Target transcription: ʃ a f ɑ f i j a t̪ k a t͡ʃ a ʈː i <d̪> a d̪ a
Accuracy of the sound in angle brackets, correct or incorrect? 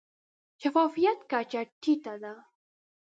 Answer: incorrect